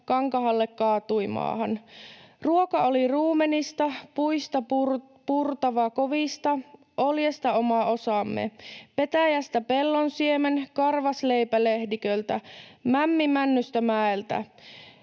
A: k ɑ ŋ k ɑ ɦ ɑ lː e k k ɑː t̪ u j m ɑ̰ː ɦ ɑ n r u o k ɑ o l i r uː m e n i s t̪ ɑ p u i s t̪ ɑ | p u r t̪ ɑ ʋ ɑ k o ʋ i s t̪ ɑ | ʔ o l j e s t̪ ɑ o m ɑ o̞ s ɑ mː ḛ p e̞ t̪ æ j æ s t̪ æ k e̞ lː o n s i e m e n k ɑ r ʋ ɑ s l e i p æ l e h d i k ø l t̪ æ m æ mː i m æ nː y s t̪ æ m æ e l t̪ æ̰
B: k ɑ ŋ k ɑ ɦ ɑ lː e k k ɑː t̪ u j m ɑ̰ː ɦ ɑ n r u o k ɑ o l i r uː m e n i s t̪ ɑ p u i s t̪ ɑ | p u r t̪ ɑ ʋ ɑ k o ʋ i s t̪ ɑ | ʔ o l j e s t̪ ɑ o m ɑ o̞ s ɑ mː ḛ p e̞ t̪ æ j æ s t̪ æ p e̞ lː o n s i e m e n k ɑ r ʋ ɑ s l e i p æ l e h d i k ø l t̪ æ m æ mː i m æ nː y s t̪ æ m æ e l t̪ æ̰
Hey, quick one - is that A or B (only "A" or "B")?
B